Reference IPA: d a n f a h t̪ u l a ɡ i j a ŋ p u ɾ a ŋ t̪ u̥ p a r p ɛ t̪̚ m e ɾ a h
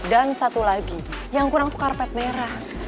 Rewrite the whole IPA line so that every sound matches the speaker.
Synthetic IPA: d a n s a t̪ u l a ɡ i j a ŋ k u ɾ a ŋ t̪ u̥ k a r p ɛ t̪̚ m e ɾ a h